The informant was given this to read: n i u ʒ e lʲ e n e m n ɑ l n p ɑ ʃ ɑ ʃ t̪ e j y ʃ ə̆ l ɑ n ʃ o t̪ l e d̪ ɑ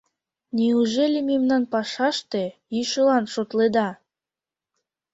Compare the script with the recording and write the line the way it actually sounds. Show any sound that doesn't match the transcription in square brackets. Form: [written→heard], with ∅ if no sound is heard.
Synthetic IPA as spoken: n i u ʒ e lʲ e [n→m] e m n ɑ [l→∅] n p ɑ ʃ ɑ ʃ t̪ e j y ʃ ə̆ l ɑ n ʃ o t̪ l e d̪ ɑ